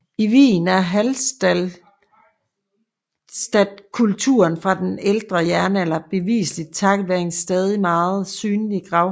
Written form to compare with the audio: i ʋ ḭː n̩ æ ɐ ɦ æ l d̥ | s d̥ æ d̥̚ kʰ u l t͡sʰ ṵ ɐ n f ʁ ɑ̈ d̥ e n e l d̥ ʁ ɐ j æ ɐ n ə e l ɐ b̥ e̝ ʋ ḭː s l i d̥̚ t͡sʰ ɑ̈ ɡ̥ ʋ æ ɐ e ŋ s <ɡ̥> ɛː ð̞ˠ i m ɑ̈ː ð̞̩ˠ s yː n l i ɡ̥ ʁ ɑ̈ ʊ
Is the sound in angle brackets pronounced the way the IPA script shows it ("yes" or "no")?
no